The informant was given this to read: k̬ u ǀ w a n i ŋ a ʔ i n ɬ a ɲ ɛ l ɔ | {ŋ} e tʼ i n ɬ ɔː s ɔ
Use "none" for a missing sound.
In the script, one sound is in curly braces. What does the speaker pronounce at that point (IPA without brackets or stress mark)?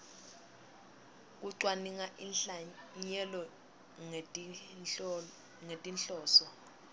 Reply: ŋ